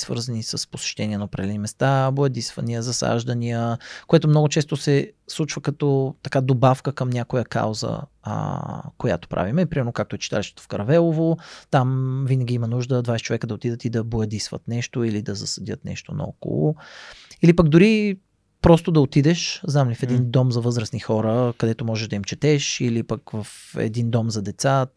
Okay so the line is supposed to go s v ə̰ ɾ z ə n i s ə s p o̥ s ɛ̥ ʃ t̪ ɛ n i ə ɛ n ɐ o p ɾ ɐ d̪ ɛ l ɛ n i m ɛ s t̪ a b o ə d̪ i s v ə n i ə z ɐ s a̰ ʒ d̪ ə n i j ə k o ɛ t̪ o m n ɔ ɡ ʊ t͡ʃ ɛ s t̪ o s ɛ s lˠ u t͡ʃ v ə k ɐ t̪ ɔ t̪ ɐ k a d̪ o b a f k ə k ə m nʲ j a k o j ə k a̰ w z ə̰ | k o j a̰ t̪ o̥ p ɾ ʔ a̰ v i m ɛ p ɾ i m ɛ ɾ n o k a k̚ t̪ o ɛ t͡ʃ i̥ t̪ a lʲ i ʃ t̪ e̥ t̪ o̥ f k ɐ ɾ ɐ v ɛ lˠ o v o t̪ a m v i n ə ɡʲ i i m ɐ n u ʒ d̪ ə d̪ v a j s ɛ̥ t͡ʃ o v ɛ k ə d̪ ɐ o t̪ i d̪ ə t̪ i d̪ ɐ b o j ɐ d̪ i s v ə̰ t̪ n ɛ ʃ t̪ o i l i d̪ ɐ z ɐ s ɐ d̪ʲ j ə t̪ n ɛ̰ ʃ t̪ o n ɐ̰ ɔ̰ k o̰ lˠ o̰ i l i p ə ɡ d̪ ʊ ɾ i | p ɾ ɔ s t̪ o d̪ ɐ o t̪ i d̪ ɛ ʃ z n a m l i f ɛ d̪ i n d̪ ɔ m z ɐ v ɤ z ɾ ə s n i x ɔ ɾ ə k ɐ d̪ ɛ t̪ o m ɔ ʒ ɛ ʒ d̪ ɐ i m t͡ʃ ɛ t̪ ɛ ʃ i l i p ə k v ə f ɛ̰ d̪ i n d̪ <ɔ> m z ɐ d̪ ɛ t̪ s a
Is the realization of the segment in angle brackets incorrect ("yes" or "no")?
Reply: no